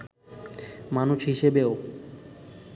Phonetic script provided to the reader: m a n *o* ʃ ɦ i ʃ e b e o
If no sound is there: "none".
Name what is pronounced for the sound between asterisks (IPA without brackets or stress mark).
u